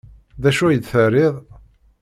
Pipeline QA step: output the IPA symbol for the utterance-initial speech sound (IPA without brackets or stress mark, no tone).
ð